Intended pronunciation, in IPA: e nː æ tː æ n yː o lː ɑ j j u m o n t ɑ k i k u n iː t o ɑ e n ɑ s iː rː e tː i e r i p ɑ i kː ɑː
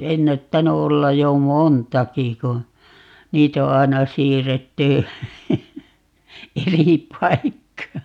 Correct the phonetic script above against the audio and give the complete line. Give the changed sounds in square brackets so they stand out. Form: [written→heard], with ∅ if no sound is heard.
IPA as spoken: e nː æ tː æ n [yː→y] o lː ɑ j j [u→o] m o n t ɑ k i k u n iː t o ɑ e n ɑ s iː rː e tː [i→y] e r i p ɑ i kː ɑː